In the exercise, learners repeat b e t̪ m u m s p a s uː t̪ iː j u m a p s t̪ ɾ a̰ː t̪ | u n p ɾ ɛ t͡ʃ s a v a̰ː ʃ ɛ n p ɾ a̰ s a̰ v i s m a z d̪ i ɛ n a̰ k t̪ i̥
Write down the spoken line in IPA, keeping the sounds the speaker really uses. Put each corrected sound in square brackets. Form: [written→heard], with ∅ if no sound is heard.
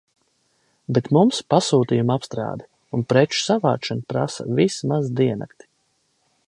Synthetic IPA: b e t̪ m u m s p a s uː t̪ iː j u m a p s t̪ ɾ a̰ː [t̪→d̪] | u n p ɾ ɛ t͡ʃ s a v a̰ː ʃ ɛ n p ɾ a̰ s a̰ v i s m a z d̪ i ɛ n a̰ k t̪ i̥